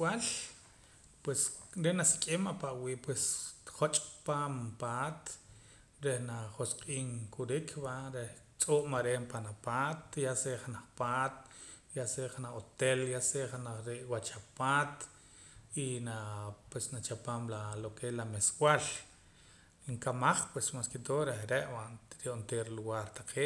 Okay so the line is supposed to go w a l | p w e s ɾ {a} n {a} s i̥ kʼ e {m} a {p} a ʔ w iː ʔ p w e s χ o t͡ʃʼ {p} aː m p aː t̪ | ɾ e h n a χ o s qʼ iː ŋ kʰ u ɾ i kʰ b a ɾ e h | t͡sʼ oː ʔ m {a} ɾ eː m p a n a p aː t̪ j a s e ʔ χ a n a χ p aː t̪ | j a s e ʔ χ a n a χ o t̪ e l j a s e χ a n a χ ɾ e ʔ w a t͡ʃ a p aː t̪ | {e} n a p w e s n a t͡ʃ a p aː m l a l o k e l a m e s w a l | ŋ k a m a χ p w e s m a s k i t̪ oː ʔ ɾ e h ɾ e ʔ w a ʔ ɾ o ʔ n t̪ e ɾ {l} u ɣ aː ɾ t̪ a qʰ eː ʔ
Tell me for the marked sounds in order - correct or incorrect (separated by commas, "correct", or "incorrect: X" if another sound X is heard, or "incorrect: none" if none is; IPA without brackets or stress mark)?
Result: incorrect: e, correct, correct, correct, correct, correct, incorrect: i, correct